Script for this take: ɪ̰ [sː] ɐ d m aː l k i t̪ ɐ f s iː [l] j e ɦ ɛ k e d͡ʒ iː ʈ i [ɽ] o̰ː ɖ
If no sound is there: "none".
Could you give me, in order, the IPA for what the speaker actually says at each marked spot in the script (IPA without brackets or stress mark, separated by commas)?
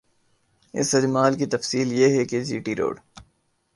s, l, ɾ